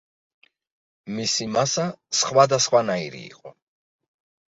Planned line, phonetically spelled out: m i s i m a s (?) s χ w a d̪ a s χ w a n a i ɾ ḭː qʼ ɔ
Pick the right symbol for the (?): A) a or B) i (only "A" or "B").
A